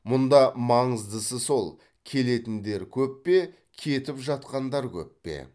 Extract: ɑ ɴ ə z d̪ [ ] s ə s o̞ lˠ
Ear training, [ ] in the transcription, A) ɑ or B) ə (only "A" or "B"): B